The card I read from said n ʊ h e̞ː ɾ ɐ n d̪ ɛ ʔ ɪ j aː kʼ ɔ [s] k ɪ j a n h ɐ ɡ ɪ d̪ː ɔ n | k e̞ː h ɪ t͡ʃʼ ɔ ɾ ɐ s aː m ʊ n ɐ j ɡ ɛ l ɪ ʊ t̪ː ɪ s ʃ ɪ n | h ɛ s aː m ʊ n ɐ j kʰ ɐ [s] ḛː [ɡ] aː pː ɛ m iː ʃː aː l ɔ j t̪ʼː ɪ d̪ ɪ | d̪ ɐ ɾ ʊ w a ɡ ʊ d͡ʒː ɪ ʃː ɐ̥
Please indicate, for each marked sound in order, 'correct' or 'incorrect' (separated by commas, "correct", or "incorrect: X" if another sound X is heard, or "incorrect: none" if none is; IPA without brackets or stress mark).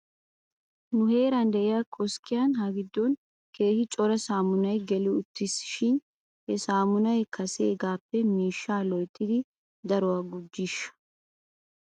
correct, correct, correct